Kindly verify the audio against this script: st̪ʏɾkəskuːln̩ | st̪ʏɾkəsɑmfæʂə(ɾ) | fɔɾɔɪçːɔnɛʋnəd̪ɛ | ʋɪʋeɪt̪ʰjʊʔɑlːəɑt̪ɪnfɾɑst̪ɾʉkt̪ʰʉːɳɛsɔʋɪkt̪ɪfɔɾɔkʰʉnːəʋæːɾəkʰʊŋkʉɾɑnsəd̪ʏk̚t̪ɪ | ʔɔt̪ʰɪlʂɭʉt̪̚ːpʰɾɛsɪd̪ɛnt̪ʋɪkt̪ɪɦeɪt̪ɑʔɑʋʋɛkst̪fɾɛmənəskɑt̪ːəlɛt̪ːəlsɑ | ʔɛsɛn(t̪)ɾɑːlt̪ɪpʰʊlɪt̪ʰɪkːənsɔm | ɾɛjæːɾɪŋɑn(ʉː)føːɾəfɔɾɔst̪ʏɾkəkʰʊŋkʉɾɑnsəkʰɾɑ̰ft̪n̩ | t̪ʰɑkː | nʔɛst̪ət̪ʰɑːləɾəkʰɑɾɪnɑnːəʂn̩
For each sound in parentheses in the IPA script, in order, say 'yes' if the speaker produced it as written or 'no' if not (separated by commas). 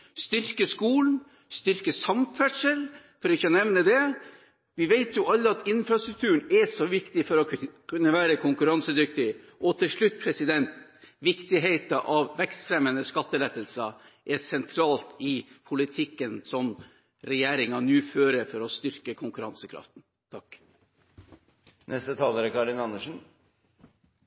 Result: no, no, yes